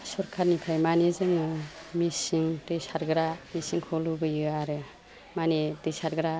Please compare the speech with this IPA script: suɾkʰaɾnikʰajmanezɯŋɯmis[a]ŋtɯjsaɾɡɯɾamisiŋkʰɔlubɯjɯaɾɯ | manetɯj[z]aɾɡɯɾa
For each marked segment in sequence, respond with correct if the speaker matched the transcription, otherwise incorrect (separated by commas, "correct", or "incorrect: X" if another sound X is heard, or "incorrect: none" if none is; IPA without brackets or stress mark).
incorrect: i, incorrect: s